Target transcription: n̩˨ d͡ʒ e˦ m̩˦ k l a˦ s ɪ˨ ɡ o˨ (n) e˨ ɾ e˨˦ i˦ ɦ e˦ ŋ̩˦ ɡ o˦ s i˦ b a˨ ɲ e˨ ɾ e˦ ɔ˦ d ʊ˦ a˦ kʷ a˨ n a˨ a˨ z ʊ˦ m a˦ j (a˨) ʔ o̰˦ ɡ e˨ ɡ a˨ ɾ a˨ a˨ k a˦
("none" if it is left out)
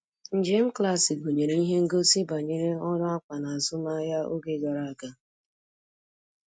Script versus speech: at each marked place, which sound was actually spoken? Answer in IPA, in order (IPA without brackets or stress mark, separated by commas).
ɲ, a˦